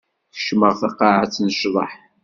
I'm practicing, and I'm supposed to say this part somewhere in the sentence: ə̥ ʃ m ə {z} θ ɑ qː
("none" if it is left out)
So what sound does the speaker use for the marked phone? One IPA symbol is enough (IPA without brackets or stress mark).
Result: ʁ